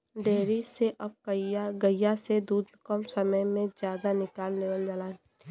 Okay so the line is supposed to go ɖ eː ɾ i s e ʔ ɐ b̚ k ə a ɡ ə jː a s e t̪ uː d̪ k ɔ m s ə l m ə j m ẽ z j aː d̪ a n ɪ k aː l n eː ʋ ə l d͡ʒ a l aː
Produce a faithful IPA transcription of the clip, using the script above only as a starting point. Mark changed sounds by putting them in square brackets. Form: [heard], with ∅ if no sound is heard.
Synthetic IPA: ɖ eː ɾ i s e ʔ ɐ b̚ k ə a ɡ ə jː a s e [d̪] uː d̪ k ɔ m s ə [∅] m ə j m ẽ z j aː d̪ a n ɪ k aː l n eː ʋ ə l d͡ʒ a l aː

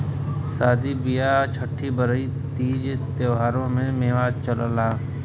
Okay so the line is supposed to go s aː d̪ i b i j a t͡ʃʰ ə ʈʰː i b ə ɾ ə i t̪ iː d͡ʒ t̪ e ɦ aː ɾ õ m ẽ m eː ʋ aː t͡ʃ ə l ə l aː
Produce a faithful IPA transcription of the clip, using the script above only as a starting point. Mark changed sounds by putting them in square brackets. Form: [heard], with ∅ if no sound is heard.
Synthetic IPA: s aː d̪ i b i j a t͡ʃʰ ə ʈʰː i b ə ɾ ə i t̪ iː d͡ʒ t̪ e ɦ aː ɾ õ m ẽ m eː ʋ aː t͡ʃ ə l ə l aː

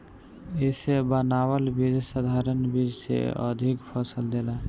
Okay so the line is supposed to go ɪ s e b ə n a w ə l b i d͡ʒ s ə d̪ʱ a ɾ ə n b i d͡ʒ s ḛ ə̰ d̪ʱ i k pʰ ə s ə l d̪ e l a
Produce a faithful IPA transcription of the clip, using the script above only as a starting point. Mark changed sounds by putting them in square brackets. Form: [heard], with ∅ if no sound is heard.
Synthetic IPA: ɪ s e b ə n a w ə l b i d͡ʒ s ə d̪ʱ a ɾ ə n b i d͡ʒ s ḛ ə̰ d̪ʱ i k pʰ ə s ə l d̪ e l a

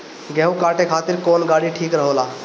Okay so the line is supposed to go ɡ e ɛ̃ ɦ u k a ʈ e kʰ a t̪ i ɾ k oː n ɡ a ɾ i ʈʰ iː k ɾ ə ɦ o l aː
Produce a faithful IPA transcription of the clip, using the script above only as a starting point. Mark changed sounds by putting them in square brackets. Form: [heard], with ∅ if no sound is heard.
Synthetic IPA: ɡ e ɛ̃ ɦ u k a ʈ e kʰ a t̪ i ɾ k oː n ɡ a [ɽ] i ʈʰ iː k ɾ ə ɦ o l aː

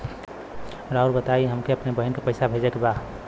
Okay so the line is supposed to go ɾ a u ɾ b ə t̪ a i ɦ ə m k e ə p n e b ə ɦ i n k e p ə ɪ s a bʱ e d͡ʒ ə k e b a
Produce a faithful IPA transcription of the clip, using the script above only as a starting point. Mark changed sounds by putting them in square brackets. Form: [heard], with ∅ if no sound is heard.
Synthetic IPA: ɾ a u ɾ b ə t̪ a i ɦ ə m k e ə p n e b ə ɦ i n k e p ə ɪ s a bʱ e d͡ʒ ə k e b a

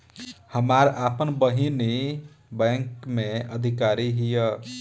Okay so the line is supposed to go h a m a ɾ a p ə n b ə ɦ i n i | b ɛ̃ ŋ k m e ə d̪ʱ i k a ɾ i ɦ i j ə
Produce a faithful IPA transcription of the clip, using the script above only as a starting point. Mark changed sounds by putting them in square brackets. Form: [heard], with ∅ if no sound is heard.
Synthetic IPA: h [ə] m a ɾ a p ə n b ə ɦ i n i | b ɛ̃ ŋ k m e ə d̪ʱ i k a ɾ i ɦ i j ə

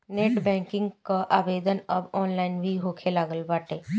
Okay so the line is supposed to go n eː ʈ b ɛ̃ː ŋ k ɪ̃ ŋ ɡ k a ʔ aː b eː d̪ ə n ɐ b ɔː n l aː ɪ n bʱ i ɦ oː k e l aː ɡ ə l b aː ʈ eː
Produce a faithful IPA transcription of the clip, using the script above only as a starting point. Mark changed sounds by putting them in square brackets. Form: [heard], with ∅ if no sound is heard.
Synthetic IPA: n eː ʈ b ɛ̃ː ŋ k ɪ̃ ŋ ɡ k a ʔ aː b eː d̪ ə n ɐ b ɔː n l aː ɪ n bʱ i ɦ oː [kʰ] e l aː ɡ ə l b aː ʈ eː

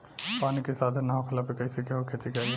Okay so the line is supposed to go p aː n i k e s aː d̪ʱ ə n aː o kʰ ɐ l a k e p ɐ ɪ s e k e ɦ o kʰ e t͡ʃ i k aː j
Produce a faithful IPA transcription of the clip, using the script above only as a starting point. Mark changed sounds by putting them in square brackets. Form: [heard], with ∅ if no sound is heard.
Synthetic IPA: p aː n i k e s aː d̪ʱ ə n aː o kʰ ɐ l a [p] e [k] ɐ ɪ s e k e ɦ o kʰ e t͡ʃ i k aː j

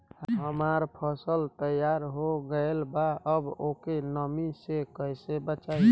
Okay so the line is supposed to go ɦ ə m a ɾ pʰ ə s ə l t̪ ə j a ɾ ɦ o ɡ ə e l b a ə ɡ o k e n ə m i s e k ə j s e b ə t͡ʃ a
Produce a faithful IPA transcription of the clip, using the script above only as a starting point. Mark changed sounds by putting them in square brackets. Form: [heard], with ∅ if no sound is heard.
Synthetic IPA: ɦ ə m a ɾ pʰ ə s ə l t̪ ə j a ɾ ɦ o ɡ ə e l b a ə [b] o k e n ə m i s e k ə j s e b ə t͡ʃ a

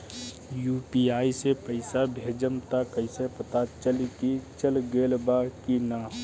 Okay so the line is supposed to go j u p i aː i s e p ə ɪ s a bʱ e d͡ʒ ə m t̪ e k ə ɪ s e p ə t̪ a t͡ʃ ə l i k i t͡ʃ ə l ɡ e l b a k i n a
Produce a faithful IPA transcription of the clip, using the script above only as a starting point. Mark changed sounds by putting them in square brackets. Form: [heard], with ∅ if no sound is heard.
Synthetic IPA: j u p i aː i s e p ə ɪ s a bʱ e d͡ʒ ə m t̪ [a] k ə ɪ s e p ə t̪ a t͡ʃ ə l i k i t͡ʃ ə l ɡ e l b a k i n a

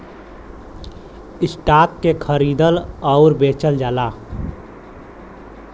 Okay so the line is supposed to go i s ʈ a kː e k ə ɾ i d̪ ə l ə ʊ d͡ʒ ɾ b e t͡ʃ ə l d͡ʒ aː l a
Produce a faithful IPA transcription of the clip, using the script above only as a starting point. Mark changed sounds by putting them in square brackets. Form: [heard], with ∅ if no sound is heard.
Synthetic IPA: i s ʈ a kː e [kʰ] ə ɾ i d̪ ə l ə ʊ [∅] ɾ b e t͡ʃ ə l d͡ʒ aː l a

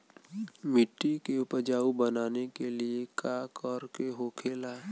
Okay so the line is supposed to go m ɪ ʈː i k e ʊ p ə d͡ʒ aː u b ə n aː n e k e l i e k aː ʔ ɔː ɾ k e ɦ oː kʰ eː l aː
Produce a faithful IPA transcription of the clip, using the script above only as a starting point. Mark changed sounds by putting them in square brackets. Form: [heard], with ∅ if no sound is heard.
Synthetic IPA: m ɪ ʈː i k e ʊ p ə d͡ʒ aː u b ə n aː n e k e l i e k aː [k] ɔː ɾ k e ɦ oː kʰ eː l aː

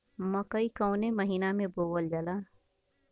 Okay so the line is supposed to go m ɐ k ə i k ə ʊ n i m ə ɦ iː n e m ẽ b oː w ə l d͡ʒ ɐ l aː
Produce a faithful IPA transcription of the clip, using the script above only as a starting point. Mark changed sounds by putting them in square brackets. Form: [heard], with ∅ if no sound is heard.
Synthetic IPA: m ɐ k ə i k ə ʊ n [e] m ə ɦ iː n [a] m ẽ b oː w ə l d͡ʒ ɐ l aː

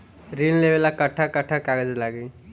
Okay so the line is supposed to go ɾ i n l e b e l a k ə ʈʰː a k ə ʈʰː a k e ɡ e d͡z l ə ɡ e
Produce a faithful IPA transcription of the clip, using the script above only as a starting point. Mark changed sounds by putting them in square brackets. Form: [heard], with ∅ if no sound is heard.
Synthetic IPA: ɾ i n l e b e l a k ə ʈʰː a k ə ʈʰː a k [a] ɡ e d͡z l [a] ɡ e

